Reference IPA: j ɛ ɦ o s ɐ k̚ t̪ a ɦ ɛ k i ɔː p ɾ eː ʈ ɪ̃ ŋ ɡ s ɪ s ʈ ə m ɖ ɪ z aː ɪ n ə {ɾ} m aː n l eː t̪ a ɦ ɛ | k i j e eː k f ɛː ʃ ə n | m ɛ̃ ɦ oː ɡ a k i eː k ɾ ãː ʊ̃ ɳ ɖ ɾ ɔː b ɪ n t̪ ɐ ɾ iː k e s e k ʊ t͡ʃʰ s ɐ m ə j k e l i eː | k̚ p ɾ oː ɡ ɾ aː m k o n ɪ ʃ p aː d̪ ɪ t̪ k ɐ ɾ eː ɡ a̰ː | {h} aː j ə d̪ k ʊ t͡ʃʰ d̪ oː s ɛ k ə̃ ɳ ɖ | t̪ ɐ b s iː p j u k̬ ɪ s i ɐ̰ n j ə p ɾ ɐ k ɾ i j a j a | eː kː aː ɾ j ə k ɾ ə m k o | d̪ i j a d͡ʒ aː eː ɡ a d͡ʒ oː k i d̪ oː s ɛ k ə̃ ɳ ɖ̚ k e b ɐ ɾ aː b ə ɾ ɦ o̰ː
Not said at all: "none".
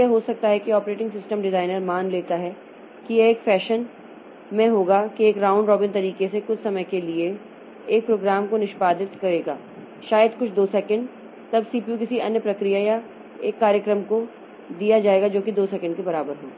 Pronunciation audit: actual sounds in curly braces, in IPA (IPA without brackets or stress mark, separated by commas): ɾ, ʃ